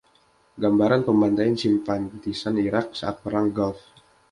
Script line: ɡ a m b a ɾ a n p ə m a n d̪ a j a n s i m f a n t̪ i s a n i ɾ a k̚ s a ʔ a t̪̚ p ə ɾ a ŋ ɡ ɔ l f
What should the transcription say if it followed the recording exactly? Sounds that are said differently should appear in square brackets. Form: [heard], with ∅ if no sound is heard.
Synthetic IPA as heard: ɡ a m b a ɾ a n p ə m a n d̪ a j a n s i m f a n t̪ i s a n i ɾ a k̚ s a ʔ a t̪̚ p ə ɾ a ŋ ɡ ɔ l f